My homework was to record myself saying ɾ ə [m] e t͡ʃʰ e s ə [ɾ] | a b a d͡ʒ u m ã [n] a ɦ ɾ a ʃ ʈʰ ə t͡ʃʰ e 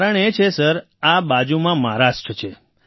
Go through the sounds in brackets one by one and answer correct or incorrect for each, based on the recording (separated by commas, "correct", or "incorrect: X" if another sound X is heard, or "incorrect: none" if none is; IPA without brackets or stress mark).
incorrect: ɳ, correct, incorrect: m